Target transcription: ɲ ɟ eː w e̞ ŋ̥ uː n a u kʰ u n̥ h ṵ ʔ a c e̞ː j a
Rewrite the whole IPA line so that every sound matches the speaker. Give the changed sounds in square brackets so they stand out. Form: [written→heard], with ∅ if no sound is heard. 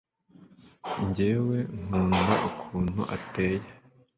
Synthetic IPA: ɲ ɟ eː w e̞ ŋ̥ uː n a u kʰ [u→uː] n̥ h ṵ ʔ a [c→t] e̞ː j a